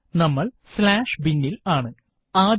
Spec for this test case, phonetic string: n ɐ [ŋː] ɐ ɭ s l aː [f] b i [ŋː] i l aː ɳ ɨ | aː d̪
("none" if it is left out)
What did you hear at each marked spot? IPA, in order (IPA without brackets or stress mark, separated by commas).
mː, ʂ, nː